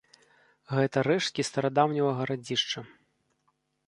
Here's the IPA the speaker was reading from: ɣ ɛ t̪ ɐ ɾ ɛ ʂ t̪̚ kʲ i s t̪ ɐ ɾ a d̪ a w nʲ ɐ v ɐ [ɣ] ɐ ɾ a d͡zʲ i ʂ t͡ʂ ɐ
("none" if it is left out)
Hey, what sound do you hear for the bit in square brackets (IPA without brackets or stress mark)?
ɣ